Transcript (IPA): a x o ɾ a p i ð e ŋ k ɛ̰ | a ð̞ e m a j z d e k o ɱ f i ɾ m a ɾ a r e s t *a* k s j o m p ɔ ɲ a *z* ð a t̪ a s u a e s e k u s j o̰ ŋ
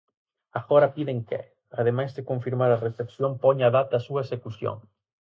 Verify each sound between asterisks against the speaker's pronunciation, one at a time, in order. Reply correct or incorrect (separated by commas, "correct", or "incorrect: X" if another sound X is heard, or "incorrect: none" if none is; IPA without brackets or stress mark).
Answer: incorrect: e, incorrect: none